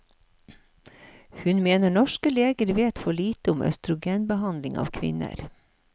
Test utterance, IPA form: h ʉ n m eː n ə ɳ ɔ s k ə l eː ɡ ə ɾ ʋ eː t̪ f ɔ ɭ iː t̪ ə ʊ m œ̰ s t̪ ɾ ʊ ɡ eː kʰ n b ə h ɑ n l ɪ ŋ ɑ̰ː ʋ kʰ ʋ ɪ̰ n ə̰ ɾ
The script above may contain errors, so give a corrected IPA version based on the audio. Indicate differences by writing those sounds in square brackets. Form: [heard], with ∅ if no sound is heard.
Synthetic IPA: h ʉ n m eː n ə ɳ ɔ [ʃ] k ə l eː ɡ ə ɾ ʋ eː t̪ f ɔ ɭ iː t̪ ə ʊ m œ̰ s t̪ ɾ ʊ ɡ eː [∅] n b ə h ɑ n l ɪ ŋ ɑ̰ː ʋ kʰ ʋ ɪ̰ n ə̰ ɾ